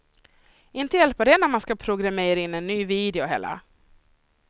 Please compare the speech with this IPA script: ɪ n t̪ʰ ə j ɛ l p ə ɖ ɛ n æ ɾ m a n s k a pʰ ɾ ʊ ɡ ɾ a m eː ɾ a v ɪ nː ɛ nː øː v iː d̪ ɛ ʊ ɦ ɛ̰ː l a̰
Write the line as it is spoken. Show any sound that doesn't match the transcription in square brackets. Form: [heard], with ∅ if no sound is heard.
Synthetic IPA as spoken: ɪ n [t̪] ə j ɛ l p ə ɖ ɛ n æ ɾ m a n s k a pʰ ɾ ʊ ɡ ɾ a m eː ɾ a [∅] ɪ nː ɛ nː [yː] v iː d̪ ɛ ʊ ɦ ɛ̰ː l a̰